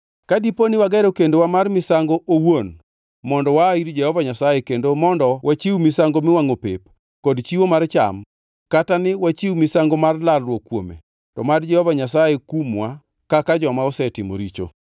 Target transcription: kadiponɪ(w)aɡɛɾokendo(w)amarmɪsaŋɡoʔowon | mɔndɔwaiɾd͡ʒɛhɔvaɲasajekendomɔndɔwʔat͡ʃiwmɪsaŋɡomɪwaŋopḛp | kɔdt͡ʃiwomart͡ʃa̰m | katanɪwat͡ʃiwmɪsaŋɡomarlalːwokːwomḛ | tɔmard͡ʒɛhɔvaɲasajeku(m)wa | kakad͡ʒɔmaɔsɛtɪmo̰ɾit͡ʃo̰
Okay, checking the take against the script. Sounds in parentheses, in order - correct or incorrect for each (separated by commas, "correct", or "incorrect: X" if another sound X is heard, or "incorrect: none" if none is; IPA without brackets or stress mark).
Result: correct, correct, correct